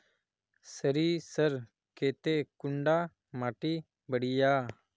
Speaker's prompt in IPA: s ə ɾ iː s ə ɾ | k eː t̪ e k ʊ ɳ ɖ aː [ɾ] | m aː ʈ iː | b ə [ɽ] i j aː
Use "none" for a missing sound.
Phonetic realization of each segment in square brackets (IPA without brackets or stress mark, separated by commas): none, ɽ